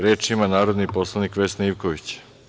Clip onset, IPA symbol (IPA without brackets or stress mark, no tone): ɾ